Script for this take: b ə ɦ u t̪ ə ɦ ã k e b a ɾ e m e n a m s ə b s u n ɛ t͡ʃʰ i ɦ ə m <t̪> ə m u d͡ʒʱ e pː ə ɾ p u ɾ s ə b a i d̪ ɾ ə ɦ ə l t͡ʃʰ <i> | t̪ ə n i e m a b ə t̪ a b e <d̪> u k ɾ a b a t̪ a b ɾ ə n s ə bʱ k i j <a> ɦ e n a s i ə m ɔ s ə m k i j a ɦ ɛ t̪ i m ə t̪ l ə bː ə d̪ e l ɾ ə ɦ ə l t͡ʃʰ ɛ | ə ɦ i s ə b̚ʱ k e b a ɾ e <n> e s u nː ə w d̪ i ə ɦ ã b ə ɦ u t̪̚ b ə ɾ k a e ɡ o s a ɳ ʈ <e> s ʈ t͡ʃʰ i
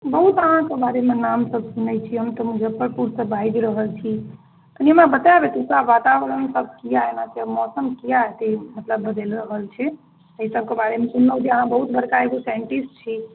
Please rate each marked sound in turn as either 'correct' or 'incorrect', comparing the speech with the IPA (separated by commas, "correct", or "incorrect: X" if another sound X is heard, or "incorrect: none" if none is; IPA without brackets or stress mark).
correct, correct, incorrect: t̪, correct, incorrect: m, incorrect: i